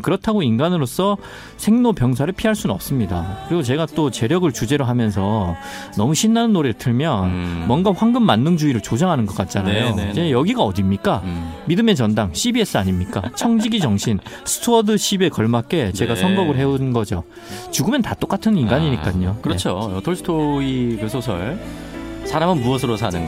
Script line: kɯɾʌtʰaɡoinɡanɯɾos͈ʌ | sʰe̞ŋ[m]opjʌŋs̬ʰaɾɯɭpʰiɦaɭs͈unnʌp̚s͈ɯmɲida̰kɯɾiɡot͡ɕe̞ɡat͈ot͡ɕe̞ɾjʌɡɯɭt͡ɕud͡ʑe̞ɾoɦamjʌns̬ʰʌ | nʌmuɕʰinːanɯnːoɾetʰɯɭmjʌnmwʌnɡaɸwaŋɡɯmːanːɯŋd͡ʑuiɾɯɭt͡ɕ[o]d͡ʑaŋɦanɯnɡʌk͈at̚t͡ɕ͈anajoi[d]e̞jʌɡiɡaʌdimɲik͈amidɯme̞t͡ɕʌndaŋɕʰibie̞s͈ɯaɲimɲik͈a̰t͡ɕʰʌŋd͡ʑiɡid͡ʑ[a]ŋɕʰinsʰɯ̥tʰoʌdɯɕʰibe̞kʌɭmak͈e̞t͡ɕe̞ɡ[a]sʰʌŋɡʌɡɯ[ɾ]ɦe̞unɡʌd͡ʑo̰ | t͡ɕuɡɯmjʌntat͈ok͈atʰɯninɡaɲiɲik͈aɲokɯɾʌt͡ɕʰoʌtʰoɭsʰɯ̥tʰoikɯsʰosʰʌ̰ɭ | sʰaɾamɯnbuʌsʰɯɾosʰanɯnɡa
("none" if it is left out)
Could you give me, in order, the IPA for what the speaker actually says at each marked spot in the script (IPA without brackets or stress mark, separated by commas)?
n, o, d͡ʑ, ʌ, a, ɭ